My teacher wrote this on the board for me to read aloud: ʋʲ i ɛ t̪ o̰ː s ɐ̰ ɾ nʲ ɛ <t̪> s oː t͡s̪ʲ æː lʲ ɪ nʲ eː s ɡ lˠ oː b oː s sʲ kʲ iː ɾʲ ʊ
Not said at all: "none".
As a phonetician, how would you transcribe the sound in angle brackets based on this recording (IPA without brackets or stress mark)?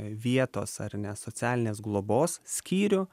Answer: none